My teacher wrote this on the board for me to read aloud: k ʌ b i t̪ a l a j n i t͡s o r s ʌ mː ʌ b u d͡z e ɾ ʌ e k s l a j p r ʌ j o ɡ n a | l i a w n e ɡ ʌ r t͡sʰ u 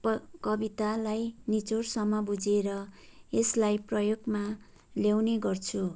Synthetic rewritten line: k ʌ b i t̪ a l a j n i t͡s o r s ʌ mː ʌ b u d͡z e ɾ ʌ e s l a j p r ʌ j o ɡ m a | l j a w n e ɡ ʌ r t͡sʰ u